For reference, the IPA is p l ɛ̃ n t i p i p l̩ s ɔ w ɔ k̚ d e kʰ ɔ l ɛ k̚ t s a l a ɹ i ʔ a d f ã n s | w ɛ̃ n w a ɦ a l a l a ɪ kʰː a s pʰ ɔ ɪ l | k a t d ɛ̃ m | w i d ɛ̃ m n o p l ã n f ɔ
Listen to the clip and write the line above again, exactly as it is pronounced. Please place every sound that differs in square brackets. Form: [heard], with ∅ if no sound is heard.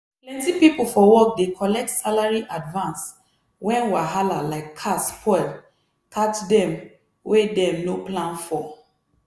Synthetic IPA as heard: p l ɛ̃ n t i p i p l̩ [f] ɔ w ɔ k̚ d e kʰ ɔ l ɛ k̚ t s a l a ɹ i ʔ a d [v] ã n s | w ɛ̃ n w a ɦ a l a l a ɪ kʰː a s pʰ ɔ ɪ l | k a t d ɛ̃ m | w [e] d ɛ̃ m n o p l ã n f ɔ